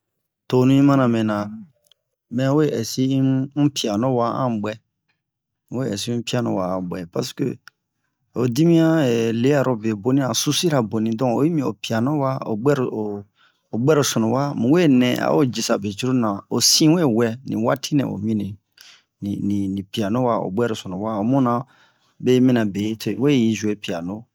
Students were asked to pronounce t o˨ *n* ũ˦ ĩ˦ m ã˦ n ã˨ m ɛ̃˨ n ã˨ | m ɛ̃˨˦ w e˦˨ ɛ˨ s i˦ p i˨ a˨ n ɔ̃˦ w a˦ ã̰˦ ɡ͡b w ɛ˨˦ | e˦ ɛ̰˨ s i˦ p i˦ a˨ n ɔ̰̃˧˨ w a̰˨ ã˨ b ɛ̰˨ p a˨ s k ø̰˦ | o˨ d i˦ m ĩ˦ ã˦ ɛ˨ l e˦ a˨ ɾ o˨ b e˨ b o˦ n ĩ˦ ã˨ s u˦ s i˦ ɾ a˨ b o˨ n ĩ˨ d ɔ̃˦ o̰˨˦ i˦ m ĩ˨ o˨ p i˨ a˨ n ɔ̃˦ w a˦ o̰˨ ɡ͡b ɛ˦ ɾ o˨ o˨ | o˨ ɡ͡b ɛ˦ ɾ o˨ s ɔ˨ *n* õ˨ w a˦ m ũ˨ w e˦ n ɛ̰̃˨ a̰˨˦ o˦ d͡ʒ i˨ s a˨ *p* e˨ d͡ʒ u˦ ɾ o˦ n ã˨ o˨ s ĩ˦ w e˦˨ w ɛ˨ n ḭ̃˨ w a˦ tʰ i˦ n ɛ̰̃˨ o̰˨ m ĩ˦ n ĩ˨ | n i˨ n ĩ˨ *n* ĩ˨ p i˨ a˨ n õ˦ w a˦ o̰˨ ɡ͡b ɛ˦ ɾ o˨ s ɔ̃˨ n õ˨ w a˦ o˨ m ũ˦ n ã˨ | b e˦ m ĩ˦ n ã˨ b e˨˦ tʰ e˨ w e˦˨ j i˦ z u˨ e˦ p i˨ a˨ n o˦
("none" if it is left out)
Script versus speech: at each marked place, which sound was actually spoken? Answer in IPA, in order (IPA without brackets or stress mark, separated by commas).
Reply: n, n, b, n